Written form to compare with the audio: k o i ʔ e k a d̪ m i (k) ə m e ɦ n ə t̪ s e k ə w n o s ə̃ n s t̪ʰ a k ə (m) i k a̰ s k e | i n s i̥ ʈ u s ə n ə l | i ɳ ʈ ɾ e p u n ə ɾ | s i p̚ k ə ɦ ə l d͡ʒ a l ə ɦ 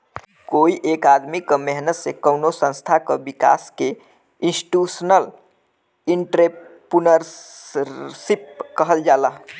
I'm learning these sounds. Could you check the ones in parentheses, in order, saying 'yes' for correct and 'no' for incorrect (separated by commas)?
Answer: yes, no